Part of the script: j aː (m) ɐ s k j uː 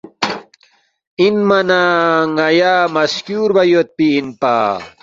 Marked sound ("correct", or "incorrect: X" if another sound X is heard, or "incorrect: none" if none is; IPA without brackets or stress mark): correct